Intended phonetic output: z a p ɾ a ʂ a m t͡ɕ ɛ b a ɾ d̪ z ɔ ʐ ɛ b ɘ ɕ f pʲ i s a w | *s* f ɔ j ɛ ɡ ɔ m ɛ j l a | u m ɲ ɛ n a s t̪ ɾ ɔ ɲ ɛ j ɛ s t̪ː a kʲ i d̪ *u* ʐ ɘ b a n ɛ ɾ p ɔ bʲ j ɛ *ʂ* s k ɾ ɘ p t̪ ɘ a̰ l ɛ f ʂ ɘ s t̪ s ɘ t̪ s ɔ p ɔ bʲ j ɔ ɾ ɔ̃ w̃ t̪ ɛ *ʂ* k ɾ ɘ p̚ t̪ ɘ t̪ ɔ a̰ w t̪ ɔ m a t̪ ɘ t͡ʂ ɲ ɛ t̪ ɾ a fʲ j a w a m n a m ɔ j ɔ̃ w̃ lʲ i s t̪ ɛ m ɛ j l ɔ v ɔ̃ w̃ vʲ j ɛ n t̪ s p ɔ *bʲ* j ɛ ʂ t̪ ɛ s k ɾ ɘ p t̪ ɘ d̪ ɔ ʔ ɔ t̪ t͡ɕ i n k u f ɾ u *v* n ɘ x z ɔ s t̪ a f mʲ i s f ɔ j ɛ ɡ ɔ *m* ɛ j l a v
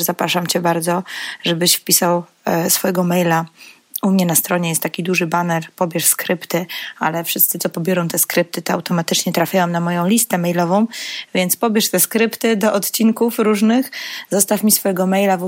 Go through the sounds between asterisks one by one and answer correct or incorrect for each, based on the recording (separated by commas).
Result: correct, correct, correct, incorrect, correct, incorrect, correct